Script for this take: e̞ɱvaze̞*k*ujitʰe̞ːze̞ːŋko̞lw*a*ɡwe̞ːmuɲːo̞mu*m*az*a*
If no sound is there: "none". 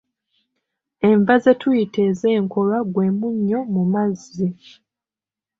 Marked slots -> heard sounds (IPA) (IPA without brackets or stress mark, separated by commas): t, a, m, i